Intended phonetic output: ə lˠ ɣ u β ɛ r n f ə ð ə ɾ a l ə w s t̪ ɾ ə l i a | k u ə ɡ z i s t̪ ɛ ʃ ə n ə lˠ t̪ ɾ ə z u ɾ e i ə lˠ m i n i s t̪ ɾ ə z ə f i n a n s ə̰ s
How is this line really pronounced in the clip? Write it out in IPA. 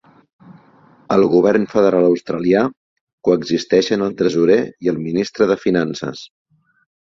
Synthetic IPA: ə lˠ ɣ u β ɛ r n f ə ð ə ɾ a l ə w s t̪ ɾ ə l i a | k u ə ɡ z i s t̪ ɛ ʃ ə n ə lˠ t̪ ɾ ə z u ɾ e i ə lˠ m i n i s t̪ ɾ ə ð ə f i n a n s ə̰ s